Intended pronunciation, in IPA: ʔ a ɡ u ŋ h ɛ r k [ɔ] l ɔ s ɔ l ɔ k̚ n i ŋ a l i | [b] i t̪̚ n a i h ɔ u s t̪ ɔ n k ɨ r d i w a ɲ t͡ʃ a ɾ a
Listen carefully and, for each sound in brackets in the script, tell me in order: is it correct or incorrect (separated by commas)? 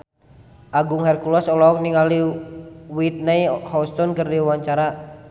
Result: incorrect, incorrect